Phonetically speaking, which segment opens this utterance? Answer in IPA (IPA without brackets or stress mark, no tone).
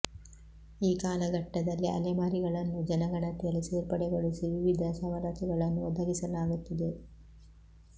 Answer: iː